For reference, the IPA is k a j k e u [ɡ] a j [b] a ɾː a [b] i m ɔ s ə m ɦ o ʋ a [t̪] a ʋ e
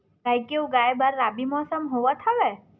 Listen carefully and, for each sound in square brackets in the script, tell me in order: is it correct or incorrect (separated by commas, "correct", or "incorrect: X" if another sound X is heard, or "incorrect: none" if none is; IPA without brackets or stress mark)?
correct, correct, correct, incorrect: t̪ʰ